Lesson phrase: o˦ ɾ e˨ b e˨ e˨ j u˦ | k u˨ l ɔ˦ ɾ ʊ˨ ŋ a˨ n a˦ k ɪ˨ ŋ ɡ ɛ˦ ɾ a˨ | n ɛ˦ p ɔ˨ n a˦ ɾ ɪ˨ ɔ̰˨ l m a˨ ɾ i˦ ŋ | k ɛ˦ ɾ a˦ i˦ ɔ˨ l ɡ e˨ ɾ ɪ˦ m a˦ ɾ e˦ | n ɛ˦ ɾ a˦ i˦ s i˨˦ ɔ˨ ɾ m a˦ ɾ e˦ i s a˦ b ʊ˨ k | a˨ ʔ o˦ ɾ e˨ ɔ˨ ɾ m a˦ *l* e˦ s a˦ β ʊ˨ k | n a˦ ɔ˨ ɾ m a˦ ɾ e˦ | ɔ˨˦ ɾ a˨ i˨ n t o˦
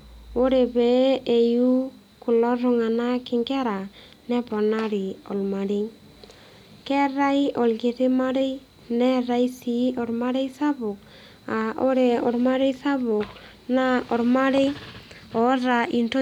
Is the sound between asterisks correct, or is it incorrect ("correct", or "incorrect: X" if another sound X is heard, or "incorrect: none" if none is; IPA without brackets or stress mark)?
incorrect: ɾ